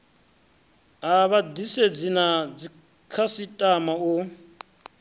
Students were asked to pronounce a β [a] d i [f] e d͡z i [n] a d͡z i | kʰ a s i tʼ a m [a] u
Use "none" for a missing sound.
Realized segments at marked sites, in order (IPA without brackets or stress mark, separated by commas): a, s, n, a